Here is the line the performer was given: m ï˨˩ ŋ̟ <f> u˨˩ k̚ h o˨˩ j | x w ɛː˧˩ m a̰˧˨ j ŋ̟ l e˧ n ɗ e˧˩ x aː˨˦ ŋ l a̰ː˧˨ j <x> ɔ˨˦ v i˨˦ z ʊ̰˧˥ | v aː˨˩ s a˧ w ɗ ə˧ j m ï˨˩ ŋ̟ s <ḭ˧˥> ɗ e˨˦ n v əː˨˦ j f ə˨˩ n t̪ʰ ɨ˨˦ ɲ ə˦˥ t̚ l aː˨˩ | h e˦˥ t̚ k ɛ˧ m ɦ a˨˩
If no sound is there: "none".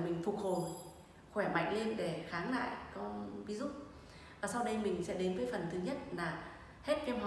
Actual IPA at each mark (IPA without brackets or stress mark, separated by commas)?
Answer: f, k, ɛ̰˧˥